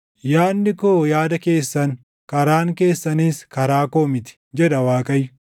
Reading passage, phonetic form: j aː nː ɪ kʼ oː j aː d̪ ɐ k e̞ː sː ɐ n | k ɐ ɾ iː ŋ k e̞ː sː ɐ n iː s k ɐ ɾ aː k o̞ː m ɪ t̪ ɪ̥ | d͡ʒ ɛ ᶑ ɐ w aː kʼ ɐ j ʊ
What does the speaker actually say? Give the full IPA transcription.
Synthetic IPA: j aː nː ɪ k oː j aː d̪ ɐ k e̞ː sː ɐ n | k ɐ ɾ aː ŋ k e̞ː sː ɐ n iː s k ɐ ɾ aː k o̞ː m ɪ t̪ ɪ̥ | d͡ʒ ɛ ᶑ ɐ w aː kʼ ɐ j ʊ